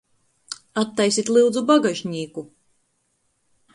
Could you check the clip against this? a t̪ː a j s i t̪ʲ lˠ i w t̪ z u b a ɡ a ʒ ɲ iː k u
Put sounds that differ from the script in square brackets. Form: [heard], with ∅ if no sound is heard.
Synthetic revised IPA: a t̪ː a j s i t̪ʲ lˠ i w [d̪] z u b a ɡ a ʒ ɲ iː k u